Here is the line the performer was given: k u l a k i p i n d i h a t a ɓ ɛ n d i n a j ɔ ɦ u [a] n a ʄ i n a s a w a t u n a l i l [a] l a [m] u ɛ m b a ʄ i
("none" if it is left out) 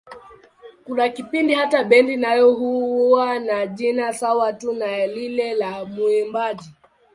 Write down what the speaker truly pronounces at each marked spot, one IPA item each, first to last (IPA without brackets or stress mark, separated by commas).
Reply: a, ɛ, m